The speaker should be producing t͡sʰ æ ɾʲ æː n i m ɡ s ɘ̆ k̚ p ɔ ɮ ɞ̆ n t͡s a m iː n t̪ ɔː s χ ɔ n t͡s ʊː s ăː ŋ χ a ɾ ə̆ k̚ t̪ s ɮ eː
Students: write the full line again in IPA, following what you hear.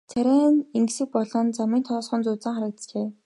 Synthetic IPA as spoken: t͡sʰ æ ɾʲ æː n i ŋ ɡ s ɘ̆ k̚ p ɔ ɮ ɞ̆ n t͡s a m iː n t̪ʰ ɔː s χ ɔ n t͡s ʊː t͡s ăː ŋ χ a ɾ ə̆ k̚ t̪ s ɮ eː